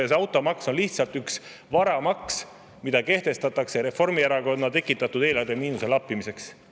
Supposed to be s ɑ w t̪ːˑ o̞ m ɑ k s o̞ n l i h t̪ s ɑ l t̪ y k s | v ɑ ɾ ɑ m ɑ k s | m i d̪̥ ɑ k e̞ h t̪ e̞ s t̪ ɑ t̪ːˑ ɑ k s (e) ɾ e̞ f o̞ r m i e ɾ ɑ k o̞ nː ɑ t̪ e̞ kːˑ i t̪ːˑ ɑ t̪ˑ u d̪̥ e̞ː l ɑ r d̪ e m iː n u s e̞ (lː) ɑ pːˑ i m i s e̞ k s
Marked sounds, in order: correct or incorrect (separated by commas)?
correct, incorrect